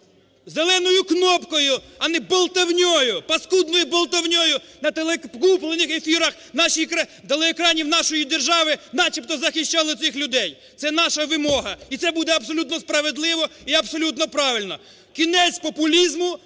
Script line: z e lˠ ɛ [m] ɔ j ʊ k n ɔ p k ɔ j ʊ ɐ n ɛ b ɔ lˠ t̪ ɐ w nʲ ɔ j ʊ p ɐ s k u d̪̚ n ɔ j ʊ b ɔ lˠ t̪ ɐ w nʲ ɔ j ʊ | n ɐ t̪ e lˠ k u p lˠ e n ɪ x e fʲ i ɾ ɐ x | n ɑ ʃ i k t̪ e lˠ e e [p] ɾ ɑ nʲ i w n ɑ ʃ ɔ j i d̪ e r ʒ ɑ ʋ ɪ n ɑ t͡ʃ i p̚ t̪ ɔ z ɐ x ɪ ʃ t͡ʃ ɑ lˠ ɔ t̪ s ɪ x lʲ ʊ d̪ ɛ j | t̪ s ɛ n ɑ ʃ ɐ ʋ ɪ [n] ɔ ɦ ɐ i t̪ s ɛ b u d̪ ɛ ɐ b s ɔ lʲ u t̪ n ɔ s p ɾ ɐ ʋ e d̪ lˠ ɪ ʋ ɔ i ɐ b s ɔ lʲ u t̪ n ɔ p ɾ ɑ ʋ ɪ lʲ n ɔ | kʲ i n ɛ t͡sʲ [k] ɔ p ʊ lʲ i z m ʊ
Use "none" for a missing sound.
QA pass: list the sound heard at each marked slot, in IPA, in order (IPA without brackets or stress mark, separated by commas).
n, k, m, p